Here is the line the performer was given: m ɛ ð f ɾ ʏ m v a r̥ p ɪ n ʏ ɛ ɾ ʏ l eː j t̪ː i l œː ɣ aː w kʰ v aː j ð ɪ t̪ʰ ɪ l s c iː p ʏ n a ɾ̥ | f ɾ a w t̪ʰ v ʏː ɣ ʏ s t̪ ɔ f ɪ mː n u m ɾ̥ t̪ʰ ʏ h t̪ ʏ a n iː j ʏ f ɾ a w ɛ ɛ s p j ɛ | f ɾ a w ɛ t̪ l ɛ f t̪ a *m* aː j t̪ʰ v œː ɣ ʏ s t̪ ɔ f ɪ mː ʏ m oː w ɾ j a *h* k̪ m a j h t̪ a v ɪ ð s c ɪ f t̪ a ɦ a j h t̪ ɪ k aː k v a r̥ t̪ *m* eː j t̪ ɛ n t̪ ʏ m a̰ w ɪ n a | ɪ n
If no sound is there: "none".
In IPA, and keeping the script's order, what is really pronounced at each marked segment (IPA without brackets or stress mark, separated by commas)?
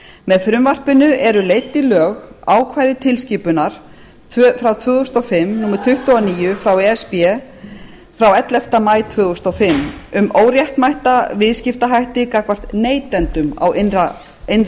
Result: m, h, n